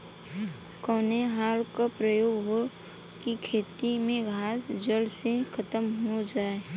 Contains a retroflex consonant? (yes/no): no